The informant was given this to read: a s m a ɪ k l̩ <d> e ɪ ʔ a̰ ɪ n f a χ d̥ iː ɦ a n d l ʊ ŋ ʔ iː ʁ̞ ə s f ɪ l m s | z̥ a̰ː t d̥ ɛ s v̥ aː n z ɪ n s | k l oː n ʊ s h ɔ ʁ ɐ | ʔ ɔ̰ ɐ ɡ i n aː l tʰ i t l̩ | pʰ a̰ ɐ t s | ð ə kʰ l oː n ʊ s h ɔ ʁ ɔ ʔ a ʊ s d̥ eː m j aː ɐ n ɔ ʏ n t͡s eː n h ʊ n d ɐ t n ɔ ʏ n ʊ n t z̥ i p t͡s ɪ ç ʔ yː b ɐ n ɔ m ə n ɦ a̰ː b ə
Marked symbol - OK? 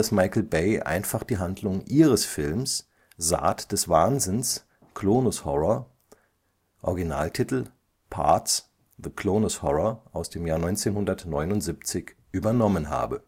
no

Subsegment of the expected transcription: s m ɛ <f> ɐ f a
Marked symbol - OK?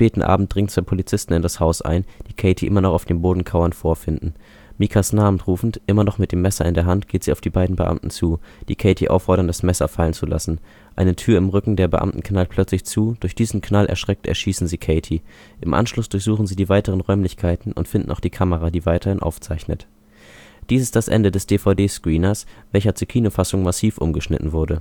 no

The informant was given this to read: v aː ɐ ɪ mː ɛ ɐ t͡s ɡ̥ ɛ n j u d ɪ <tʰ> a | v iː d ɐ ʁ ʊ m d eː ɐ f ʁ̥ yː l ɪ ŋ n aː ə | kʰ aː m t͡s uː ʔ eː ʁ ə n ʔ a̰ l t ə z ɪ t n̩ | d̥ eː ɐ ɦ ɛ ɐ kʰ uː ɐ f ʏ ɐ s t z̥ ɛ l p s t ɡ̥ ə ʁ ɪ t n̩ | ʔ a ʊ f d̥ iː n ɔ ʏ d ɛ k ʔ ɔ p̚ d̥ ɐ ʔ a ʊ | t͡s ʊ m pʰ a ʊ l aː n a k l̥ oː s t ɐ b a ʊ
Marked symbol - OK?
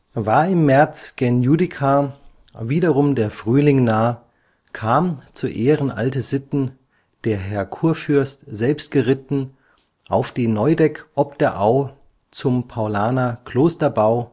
no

